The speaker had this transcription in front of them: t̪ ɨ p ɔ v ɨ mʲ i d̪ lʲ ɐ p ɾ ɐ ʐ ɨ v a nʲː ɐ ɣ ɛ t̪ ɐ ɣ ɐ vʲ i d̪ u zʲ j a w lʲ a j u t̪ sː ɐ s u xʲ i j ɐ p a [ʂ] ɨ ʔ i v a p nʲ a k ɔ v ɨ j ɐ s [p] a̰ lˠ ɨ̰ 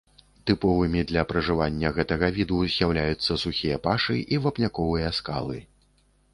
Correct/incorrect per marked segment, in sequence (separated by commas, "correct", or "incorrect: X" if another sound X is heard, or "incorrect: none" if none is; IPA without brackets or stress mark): correct, incorrect: k